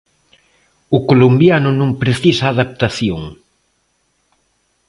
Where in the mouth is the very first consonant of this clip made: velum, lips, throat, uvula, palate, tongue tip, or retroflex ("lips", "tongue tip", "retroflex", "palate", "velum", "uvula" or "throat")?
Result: velum